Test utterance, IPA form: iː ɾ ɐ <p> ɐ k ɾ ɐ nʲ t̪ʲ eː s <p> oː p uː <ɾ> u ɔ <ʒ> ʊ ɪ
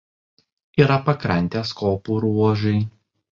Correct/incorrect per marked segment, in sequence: correct, incorrect, correct, correct

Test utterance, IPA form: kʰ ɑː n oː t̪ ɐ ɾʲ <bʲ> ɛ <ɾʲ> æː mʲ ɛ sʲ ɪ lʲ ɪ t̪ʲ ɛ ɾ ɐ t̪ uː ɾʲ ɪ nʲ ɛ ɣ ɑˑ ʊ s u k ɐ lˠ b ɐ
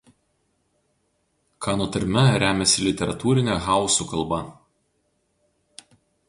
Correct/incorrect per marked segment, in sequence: incorrect, correct

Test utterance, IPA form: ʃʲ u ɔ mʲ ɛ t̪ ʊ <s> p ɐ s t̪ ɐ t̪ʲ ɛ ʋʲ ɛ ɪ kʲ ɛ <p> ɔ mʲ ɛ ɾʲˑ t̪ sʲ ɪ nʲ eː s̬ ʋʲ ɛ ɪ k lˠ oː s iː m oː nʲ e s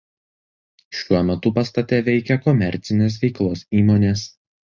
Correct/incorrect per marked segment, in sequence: incorrect, incorrect

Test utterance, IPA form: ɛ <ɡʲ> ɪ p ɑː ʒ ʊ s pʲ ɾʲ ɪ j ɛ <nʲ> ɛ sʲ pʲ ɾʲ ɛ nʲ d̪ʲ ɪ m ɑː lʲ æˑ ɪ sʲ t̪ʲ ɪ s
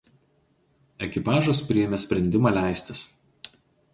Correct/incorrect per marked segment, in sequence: incorrect, incorrect

